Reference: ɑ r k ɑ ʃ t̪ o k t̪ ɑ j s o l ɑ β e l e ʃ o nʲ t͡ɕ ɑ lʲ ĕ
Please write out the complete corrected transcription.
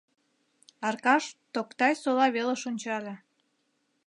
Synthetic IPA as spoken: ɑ r k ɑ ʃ t̪ o k t̪ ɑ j s o l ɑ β e l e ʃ o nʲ t͡ɕ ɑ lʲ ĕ